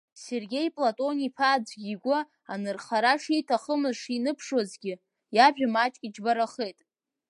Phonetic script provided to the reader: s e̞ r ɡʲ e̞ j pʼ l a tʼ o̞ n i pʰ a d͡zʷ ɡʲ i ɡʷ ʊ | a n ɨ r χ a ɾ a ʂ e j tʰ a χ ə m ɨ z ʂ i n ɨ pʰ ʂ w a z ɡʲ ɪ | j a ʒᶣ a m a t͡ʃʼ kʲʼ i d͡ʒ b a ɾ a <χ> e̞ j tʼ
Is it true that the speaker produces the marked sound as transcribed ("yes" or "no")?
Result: yes